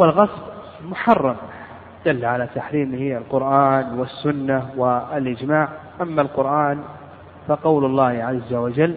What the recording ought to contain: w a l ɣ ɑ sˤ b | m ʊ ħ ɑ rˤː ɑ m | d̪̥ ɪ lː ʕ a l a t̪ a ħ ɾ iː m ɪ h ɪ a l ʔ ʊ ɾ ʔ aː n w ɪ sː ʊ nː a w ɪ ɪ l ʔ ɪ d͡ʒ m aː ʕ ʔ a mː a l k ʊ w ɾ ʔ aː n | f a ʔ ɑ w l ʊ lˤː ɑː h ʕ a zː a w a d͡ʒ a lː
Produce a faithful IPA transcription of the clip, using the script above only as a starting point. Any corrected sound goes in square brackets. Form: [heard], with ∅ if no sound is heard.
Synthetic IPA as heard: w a l ɣ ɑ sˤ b | m ʊ ħ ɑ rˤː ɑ m | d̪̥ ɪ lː ʕ a l a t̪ a ħ ɾ iː m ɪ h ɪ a l [q] ʊ ɾ ʔ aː n w ɪ sː ʊ nː a w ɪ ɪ l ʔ ɪ d͡ʒ m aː ʕ ʔ a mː a l [q] ʊ [∅] ɾ ʔ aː n | f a [q] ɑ w l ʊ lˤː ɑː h ʕ a zː a w a d͡ʒ a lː